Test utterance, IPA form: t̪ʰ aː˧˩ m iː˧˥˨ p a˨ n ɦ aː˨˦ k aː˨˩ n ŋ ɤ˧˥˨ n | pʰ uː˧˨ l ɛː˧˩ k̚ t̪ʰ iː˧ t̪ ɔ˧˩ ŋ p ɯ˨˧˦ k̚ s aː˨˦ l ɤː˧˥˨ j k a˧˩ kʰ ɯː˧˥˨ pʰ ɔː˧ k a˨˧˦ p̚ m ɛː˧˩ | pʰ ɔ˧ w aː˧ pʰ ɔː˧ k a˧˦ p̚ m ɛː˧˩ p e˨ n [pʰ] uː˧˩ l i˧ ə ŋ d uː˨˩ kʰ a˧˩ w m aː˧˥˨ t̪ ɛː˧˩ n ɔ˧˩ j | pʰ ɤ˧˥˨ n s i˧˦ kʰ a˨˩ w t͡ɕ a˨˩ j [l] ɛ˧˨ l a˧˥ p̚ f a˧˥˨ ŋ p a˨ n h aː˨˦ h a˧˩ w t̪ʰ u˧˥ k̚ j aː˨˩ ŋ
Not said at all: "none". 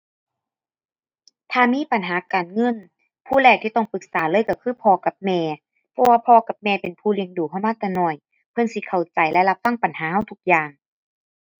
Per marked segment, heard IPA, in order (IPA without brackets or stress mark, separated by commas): pʰ, l